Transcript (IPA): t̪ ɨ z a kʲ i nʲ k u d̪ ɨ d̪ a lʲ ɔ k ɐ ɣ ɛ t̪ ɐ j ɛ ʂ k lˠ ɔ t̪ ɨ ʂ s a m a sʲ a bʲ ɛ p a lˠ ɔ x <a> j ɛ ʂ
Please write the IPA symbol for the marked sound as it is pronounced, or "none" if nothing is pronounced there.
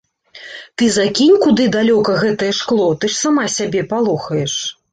ɐ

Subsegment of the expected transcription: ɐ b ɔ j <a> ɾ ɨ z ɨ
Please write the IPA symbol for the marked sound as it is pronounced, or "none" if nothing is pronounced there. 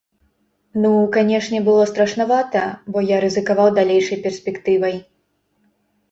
a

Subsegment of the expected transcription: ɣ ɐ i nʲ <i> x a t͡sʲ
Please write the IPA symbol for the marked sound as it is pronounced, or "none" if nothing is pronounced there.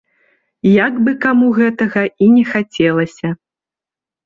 ɛ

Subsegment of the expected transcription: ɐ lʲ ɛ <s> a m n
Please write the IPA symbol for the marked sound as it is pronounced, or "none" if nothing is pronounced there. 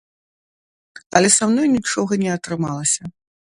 s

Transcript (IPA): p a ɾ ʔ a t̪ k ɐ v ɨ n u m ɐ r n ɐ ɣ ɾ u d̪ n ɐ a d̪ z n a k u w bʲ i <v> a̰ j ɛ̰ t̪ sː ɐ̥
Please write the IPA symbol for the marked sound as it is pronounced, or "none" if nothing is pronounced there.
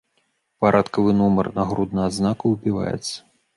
v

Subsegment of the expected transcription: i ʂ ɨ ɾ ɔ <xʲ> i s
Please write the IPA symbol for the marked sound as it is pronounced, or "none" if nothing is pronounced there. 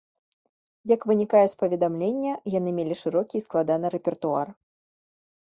kʲ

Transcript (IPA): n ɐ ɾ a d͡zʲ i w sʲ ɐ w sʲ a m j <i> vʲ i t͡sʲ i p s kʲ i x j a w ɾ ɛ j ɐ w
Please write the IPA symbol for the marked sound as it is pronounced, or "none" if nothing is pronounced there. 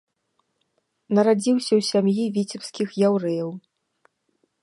i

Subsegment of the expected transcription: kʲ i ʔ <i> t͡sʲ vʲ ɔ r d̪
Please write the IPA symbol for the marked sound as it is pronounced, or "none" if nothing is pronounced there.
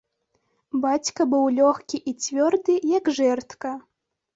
i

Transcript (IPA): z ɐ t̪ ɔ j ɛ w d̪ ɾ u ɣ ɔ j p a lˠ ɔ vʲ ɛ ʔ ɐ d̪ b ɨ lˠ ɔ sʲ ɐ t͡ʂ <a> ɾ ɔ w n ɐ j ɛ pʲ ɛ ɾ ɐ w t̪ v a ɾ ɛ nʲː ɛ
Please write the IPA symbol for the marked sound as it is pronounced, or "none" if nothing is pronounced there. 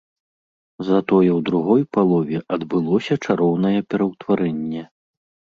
a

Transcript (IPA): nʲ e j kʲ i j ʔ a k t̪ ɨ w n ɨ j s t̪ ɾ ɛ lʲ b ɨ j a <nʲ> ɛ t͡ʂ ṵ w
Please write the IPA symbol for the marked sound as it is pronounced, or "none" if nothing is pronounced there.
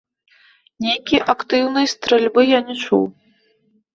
nʲ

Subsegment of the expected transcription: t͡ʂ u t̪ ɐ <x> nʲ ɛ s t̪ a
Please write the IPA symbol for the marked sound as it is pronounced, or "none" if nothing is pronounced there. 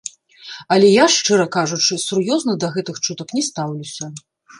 k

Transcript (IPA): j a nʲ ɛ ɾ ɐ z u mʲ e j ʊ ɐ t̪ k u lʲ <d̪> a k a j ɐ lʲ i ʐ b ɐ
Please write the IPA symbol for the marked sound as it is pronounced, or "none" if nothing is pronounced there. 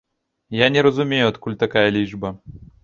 t̪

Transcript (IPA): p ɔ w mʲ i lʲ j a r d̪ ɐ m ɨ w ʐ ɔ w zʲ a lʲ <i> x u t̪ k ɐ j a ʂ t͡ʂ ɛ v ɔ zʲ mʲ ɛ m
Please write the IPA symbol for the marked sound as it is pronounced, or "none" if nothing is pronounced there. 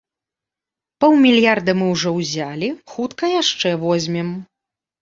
i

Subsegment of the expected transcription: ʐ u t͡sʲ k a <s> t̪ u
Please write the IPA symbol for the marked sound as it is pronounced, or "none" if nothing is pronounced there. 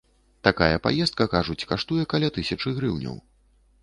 ʂ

